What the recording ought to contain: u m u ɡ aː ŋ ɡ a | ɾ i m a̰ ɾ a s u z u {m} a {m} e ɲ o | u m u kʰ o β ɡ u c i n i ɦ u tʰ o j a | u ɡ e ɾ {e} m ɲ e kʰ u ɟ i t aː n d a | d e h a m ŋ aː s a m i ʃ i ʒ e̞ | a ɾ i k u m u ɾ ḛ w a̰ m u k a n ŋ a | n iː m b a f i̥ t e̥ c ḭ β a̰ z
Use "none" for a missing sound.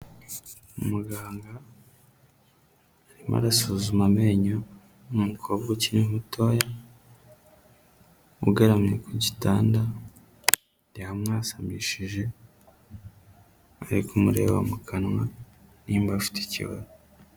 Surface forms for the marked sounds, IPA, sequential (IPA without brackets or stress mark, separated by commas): m, m, a